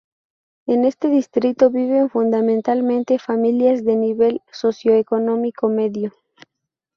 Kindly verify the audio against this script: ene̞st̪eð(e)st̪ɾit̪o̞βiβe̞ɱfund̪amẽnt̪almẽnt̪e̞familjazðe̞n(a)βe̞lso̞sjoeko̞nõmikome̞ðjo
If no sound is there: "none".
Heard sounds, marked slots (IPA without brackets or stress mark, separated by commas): i, i